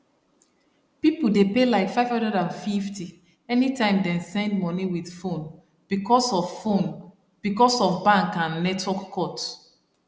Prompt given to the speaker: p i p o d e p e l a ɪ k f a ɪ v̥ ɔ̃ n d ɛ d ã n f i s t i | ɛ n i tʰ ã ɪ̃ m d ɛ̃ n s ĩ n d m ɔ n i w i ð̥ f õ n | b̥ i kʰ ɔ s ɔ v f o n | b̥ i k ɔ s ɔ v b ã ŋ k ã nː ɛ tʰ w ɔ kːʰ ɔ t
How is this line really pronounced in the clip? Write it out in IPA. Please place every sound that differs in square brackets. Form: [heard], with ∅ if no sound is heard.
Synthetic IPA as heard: p i p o d e p e l a ɪ k f a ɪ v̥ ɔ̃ n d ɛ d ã n f i [f] t i | ɛ n i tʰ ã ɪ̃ m d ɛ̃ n s [ɛ̃] n d m ɔ n i w i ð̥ f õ n | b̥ i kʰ ɔ s ɔ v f o n | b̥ i k ɔ s ɔ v b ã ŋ k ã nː ɛ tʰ w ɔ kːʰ ɔ t